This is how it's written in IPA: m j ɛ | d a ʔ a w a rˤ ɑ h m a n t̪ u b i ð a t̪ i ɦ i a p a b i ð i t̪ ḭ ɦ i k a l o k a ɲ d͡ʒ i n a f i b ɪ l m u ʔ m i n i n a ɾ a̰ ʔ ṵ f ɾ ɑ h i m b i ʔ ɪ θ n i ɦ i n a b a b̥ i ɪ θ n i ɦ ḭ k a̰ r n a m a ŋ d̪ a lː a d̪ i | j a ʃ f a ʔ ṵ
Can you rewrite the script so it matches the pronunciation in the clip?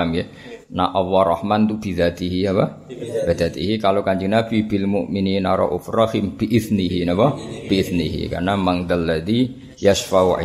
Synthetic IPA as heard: m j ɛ | n a ʔ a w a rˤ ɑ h m a n t̪ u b i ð a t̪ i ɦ i a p a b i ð a t̪ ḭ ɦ i k a l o k a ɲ d͡ʒ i n a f i b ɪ l m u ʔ m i n i n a ɾ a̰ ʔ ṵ f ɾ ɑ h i m b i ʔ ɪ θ n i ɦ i n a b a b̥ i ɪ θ n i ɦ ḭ k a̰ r n a m a ŋ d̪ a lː a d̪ i | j a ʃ f a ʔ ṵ